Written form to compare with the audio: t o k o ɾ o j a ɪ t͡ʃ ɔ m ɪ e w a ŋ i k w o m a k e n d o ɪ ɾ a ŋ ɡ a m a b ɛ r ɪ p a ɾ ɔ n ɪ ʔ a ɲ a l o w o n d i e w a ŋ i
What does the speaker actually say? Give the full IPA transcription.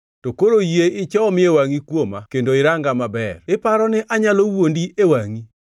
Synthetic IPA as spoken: t o k o ɾ o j e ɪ t͡ʃ ɔ m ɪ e w a ŋ i k w o m a k e n d o ɪ ɾ a ŋ ɡ a m a b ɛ r ɪ p a ɾ ɔ n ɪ ʔ a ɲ a l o w o n d i e w a ŋ i